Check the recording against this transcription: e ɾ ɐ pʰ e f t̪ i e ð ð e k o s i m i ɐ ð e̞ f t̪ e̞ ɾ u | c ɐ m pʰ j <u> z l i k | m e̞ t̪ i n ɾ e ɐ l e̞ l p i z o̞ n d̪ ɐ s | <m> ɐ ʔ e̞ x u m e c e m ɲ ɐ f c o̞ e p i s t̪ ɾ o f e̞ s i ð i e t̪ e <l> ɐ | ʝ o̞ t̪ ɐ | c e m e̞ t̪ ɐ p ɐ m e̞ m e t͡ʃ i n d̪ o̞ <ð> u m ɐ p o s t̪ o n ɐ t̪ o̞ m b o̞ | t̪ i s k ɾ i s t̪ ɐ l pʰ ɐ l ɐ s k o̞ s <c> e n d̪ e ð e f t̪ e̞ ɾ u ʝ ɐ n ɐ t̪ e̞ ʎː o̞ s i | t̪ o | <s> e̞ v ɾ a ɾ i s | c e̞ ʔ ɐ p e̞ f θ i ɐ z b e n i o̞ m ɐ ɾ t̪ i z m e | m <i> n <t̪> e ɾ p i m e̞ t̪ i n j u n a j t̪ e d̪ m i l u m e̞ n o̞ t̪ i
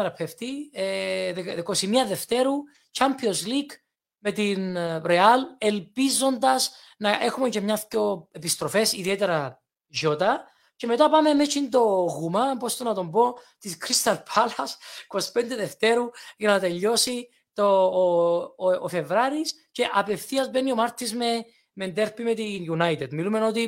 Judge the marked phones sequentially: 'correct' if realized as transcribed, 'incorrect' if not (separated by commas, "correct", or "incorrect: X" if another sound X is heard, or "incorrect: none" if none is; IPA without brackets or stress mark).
incorrect: o, incorrect: n, incorrect: ɾ, incorrect: ɣ, incorrect: p, incorrect: f, incorrect: e, incorrect: d̪